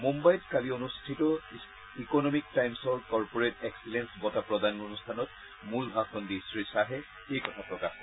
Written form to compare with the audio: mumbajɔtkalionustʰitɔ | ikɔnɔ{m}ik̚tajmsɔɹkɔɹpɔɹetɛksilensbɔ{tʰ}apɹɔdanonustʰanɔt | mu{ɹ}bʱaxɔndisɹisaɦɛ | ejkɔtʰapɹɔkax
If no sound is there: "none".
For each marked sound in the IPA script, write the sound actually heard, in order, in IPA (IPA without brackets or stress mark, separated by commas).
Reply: m, t, l